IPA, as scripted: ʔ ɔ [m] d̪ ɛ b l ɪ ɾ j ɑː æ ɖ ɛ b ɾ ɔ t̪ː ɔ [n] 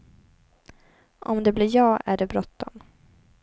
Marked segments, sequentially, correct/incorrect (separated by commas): correct, incorrect